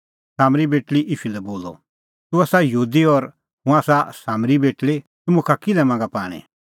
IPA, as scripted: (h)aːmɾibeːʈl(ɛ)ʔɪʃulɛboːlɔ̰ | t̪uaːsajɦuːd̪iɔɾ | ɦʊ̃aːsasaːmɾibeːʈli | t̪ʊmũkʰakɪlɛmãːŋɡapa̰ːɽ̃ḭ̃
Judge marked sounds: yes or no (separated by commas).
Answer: no, no